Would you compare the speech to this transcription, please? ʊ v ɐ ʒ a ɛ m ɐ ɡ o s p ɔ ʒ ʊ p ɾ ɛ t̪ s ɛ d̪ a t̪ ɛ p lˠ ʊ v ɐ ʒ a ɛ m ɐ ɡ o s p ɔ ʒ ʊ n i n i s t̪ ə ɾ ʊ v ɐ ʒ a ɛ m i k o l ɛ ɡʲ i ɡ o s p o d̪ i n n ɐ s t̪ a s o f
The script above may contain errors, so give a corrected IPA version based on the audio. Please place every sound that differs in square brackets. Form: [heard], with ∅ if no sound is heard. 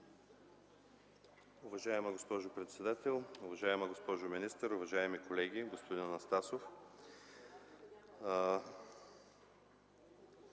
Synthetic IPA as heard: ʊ v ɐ ʒ a ɛ m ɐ ɡ o s p ɔ ʒ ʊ p ɾ ɛ t̪ s ɛ d̪ a t̪ ɛ [∅] lˠ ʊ v ɐ ʒ a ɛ m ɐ ɡ o s p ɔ ʒ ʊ [m] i n i s t̪ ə ɾ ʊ v ɐ ʒ a ɛ m i k o l ɛ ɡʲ i ɡ o s p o d̪ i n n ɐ s t̪ a s o f